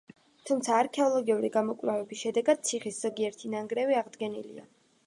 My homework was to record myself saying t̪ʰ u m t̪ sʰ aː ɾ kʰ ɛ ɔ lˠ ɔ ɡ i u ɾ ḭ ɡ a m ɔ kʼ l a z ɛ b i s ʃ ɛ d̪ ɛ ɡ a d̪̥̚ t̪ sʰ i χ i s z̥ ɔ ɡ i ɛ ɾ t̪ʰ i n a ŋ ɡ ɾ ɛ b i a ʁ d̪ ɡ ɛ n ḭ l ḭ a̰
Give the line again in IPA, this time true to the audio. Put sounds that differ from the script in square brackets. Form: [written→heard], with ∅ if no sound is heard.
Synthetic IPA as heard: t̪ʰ u m t̪ sʰ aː ɾ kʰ ɛ ɔ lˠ ɔ ɡ i u ɾ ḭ ɡ a m ɔ kʼ l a [z→v] ɛ b i s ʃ ɛ d̪ ɛ ɡ a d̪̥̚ t̪ sʰ i χ i s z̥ ɔ ɡ i ɛ ɾ t̪ʰ i n a ŋ ɡ ɾ ɛ [b→v] i a ʁ d̪ ɡ ɛ n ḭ l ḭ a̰